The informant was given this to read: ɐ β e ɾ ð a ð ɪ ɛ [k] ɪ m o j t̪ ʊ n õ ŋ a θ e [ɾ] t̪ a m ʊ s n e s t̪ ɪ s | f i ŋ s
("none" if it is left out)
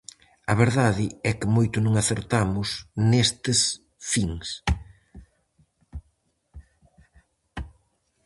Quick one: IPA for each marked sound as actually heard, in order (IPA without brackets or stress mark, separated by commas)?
k, ɾ